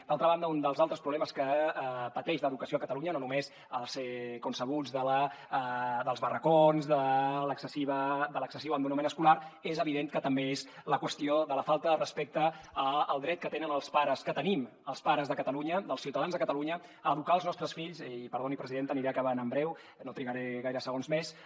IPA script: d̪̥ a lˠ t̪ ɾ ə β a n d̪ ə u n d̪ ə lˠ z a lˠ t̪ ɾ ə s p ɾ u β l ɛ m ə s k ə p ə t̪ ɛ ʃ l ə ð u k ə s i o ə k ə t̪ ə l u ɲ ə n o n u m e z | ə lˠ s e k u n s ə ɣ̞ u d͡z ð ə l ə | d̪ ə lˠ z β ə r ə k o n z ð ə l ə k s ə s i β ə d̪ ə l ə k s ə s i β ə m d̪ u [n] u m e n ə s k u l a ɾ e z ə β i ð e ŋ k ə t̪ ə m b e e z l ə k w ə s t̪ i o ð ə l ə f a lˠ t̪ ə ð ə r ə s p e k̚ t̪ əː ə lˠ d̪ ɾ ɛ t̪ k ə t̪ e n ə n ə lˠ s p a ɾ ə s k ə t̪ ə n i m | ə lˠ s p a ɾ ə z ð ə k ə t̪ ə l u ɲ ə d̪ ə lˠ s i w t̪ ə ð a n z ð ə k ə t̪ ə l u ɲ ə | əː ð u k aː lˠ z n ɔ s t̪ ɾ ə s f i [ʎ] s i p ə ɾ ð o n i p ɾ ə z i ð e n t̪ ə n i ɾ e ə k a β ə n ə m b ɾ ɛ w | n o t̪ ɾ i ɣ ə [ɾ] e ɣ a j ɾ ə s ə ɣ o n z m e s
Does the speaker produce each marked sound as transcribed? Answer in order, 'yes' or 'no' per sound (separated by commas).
yes, yes, yes